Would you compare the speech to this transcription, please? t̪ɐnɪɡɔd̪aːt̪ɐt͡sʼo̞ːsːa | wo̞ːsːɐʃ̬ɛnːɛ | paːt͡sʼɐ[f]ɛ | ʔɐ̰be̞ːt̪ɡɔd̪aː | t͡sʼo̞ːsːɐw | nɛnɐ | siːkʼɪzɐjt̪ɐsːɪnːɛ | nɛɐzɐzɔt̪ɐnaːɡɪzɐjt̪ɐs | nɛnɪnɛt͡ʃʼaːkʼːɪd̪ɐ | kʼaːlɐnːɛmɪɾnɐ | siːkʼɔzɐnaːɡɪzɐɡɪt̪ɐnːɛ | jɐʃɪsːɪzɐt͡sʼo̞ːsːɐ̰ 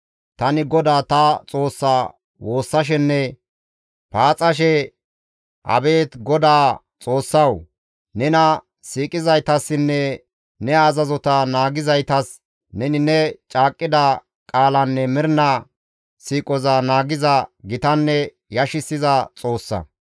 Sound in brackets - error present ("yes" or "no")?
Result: yes